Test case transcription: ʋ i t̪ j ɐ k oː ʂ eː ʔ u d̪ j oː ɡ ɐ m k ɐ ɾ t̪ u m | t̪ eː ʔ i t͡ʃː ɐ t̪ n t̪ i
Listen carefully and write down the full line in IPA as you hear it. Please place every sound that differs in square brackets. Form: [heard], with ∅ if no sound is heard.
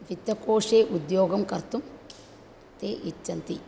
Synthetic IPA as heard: ʋ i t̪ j ɐ k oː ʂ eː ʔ u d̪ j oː ɡ ɐ m k ɐ ɾ t̪ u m | t̪ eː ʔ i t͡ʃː ɐ [∅] n t̪ i